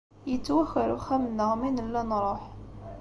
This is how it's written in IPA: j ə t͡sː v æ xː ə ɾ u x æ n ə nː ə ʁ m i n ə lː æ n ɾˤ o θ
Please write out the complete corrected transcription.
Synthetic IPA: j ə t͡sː w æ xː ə ɾ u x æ m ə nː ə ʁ m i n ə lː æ n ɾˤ o ħ

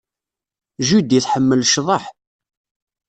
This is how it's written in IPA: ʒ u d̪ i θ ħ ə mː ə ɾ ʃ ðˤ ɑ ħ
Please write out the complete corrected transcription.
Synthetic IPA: ʒ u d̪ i θ ħ ə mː ə l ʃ ðˤ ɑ ħ

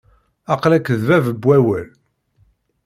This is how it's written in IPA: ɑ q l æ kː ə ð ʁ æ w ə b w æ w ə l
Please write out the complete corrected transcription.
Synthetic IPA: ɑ q l æ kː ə ð v æ v ə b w æ w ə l

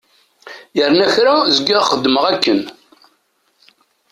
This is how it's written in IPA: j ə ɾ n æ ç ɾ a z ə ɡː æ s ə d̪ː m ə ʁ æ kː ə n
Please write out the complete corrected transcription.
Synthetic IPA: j ə ɾ n æ ç ɾ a z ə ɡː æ χ ə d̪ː m ə ʁ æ kː ə n

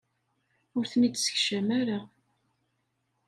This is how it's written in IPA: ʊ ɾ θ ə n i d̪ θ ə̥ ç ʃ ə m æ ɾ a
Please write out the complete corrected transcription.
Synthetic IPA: ʊ ɾ θ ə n i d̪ s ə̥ ç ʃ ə m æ ɾ a

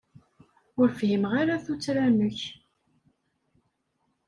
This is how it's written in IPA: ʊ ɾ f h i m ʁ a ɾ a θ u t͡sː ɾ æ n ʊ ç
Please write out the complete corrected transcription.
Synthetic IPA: ʊ ɾ f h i m ʁ a ɾ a θ u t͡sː ɾ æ n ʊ ç

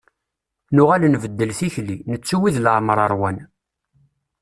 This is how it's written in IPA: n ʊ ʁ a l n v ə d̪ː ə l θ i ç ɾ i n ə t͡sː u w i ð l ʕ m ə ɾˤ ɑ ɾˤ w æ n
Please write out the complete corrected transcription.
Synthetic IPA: n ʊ ʁ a l n v ə d̪ː ə l θ i ç l i n ə t͡sː u w i ð l ʕ m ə ɾˤ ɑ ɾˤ w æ n

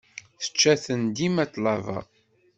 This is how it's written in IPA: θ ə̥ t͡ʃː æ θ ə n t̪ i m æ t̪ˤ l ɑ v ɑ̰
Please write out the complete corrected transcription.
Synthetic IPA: θ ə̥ t͡ʃː æ θ ə n d̪ i m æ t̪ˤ l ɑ v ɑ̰

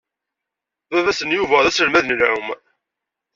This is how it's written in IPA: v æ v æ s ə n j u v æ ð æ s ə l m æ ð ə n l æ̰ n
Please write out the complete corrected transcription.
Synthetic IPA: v æ v æ s ə n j u v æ ð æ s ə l m æ ð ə n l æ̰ m

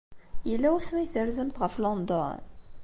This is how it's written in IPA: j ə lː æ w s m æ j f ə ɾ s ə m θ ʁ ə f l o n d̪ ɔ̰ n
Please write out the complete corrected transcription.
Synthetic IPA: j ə lː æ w s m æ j θ ə ɾ z ə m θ ʁ ə f l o n d̪ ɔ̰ n

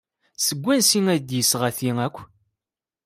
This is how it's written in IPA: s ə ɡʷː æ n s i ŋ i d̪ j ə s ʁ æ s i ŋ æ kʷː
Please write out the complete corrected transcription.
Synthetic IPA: s ə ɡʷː æ n s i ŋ æ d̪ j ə s ʁ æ θ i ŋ æ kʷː

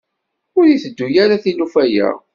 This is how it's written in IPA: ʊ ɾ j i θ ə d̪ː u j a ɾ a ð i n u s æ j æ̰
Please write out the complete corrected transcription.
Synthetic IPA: ʊ ɾ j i θ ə d̪ː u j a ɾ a θ i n u f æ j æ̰

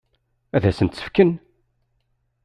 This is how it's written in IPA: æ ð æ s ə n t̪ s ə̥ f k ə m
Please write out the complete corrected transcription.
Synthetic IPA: æ ð æ s ə n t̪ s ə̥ f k ə n

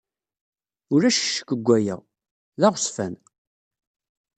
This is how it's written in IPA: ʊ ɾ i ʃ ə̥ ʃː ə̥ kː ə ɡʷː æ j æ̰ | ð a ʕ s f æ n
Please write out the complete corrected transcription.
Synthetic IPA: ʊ ɾ æ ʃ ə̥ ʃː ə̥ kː ə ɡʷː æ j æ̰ | ð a ʁ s f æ n

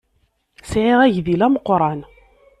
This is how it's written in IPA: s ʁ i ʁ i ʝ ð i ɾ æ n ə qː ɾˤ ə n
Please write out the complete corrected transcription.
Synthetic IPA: s ʕ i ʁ æ ʝ ð i l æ m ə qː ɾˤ ɑ n

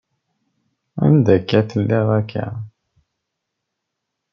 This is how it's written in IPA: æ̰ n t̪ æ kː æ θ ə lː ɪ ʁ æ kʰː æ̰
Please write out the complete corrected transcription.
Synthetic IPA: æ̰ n d̪ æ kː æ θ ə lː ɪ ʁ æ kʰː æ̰

